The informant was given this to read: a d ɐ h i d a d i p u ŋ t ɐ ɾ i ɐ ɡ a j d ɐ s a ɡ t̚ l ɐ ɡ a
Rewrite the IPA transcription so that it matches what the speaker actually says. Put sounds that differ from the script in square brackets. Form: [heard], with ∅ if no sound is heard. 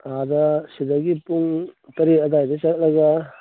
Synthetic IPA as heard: a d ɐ [s] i d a [ɡ] i p u ŋ t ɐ ɾ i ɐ [d] a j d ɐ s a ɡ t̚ l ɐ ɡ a